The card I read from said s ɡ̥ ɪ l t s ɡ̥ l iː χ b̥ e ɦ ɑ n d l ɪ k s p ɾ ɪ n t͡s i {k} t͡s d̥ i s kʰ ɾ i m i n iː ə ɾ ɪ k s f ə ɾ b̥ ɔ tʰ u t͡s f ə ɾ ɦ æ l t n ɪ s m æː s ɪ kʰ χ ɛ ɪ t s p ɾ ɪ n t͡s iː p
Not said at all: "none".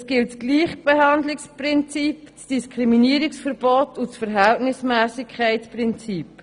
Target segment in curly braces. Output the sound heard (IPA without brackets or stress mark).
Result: p